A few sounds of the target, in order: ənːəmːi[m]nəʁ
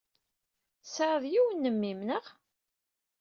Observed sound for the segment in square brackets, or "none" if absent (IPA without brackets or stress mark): m